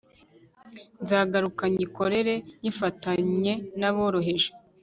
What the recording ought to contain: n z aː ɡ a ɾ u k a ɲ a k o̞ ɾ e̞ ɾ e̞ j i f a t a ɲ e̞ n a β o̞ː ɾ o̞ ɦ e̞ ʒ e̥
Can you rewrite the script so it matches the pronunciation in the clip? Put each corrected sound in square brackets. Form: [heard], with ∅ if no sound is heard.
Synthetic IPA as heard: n z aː ɡ a ɾ u k a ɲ [i] k o̞ ɾ e̞ ɾ e̞ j i f a t a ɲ e̞ n a β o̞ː ɾ o̞ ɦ e̞ ʒ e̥